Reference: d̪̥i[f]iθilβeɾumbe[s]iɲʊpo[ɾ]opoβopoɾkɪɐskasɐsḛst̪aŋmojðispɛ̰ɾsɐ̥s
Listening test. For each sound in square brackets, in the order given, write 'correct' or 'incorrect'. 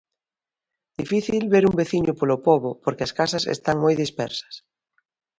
correct, incorrect, incorrect

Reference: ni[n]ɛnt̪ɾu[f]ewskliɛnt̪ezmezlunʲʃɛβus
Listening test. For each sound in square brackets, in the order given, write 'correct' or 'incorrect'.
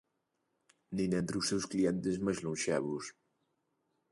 correct, incorrect

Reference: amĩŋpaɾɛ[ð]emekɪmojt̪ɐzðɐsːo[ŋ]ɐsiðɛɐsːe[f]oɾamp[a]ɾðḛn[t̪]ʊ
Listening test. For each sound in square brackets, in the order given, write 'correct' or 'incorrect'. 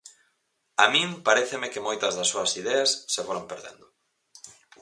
incorrect, incorrect, correct, incorrect, incorrect

